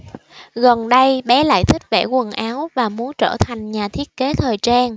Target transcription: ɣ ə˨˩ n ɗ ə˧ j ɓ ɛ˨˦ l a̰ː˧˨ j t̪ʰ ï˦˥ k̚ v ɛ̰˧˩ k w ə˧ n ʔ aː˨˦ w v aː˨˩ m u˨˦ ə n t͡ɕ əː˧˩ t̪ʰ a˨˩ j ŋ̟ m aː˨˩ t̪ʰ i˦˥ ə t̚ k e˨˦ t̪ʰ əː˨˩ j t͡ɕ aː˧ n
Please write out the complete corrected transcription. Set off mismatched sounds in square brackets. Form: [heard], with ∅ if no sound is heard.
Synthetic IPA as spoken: ɣ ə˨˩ n ɗ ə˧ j ɓ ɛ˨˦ l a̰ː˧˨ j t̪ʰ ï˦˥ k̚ v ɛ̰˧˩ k w [ə˨˩] n ʔ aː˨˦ w v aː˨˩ m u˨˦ ə n t͡ɕ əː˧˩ t̪ʰ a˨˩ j ŋ̟ [ɲ] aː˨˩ t̪ʰ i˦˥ ə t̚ k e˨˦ t̪ʰ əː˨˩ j t͡ɕ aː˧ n